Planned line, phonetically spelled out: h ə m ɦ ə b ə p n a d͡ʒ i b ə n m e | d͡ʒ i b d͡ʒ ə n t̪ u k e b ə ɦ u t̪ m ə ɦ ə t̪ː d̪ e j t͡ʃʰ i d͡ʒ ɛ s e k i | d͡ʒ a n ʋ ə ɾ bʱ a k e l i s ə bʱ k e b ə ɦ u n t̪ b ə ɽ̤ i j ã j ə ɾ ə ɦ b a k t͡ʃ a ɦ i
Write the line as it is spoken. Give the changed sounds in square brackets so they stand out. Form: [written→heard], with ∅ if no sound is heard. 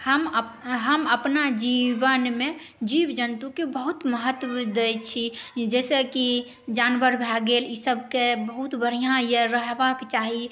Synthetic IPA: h ə m ɦ ə [b→m] ə p n a d͡ʒ i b ə n m e | d͡ʒ i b d͡ʒ ə n t̪ u k e b ə ɦ u t̪ m ə ɦ ə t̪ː d̪ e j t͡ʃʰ i d͡ʒ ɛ s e k i | d͡ʒ a n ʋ ə ɾ bʱ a [k→ɡ] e l i s ə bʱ k e b ə ɦ u [n→∅] t̪ b ə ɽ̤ i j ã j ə ɾ ə ɦ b a k t͡ʃ a ɦ i

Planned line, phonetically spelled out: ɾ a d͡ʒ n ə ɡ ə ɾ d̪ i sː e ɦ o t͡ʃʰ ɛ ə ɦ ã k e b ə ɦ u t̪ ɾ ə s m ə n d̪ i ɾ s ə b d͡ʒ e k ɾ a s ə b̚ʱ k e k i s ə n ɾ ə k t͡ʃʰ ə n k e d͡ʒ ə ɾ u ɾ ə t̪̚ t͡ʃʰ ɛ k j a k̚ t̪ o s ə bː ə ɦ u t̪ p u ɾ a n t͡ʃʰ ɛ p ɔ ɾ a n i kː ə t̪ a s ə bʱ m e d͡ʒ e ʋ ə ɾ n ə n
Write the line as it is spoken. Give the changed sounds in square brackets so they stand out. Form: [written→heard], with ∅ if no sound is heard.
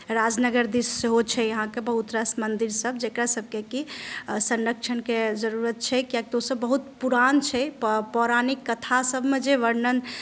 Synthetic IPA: ɾ a d͡ʒ n ə ɡ ə ɾ d̪ i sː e ɦ o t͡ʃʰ ɛ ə ɦ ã k e b ə ɦ u t̪ ɾ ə s m ə n d̪ i ɾ s ə b d͡ʒ e k ɾ a s ə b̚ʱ k e k i s ə n ɾ ə k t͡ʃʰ ə n k e d͡ʒ ə ɾ u ɾ ə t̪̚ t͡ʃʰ ɛ k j a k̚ t̪ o s ə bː ə ɦ u t̪ p u ɾ a n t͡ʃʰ ɛ p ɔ ɾ a n i kː ə [t̪→t̪ʰ] a s ə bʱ m e d͡ʒ e ʋ ə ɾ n ə n

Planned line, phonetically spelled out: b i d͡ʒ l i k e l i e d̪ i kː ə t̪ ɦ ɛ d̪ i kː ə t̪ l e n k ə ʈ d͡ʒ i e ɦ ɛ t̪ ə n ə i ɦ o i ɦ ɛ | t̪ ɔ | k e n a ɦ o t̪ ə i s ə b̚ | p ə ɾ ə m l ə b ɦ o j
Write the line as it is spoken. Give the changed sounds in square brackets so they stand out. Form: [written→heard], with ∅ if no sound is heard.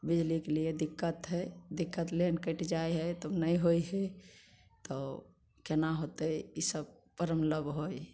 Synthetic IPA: b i d͡ʒ l i k e l i e d̪ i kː ə t̪ ɦ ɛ d̪ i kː ə t̪ l e n k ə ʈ d͡ʒ [i→a] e ɦ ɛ t̪ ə n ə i ɦ o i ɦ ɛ | t̪ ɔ | k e n a ɦ o t̪ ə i s ə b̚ | p ə ɾ ə m l ə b ɦ o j

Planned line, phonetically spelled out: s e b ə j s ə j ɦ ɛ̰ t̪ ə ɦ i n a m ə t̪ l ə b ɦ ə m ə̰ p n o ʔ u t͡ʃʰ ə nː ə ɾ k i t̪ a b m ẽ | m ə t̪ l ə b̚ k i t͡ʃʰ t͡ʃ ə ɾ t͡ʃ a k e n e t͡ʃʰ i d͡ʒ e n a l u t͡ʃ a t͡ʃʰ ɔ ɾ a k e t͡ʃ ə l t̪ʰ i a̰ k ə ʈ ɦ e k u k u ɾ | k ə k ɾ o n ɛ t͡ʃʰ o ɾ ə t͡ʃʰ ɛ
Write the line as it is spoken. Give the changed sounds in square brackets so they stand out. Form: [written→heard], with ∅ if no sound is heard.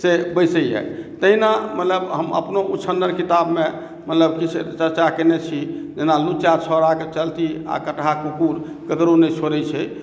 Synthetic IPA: s e b ə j s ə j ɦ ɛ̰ t̪ ə ɦ i n a m ə t̪ l ə b ɦ ə m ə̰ p n o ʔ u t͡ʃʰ ə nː ə ɾ k i t̪ a b m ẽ | m ə t̪ l ə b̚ k i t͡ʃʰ t͡ʃ ə ɾ t͡ʃ a k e n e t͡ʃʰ i d͡ʒ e n a l u t͡ʃ a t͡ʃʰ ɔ ɾ a k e t͡ʃ ə l [t̪ʰ→t̪] i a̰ k ə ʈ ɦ [e→a] k u k u ɾ | k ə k ɾ o n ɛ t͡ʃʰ o ɾ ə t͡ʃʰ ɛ

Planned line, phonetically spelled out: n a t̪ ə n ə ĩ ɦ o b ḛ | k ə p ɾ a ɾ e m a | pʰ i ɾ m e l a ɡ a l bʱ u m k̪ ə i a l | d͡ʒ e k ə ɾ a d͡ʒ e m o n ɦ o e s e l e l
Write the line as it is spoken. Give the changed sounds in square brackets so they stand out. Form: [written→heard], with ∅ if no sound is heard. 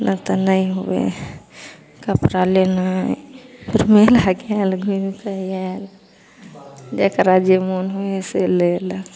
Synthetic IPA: n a t̪ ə n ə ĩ ɦ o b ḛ | k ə p ɾ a [ɾ→l] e [m→n] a | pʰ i ɾ m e l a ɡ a l [bʱ→ɡʱ] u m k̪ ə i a l | d͡ʒ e k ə ɾ a d͡ʒ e m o n ɦ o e s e l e l

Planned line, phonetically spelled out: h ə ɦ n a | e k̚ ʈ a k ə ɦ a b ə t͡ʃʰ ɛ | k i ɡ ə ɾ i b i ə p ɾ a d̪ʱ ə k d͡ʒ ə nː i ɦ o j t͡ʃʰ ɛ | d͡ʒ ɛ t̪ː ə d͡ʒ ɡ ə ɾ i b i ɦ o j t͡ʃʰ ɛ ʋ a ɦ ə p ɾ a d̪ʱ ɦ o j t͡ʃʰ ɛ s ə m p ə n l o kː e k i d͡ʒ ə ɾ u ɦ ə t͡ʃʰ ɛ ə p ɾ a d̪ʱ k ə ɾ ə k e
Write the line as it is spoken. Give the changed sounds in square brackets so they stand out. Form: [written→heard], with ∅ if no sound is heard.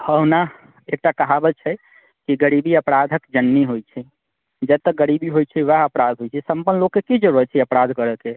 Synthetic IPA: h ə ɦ n a | e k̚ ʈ a k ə ɦ a b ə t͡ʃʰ ɛ | k i ɡ ə ɾ i b i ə p ɾ a d̪ʱ ə k d͡ʒ ə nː i ɦ o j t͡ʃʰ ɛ | d͡ʒ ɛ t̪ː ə [d͡ʒ→∅] ɡ ə ɾ i b i ɦ o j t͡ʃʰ ɛ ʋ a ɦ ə p ɾ a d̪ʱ ɦ o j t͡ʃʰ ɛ s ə m p ə n l o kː e k i d͡ʒ ə ɾ u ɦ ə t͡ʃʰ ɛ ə p ɾ a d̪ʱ k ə ɾ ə k e

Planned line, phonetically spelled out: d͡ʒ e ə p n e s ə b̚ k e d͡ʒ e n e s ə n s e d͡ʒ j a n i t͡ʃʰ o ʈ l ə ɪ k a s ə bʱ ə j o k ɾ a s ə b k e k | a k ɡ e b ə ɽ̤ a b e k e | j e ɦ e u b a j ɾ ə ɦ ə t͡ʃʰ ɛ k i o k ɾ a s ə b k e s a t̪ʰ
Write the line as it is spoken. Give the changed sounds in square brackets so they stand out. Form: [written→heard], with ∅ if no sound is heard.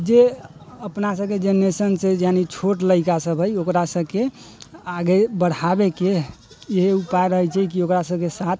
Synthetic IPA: d͡ʒ e ə p n [e→a] s ə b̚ k e d͡ʒ e n e s ə n s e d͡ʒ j a n i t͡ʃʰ o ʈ l ə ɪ k a s ə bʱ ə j o k ɾ a s ə b k e [k→∅] | a [k→∅] ɡ e b ə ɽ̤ a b e k e | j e ɦ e u [b→p] a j ɾ ə ɦ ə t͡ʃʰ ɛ k i o k ɾ a s ə b k e s a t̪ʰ

